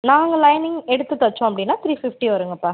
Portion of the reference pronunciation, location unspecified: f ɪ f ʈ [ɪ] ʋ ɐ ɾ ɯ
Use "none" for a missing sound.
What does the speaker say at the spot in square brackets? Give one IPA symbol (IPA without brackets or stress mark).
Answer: i